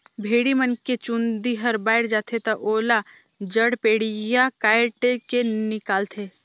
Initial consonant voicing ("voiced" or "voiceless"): voiced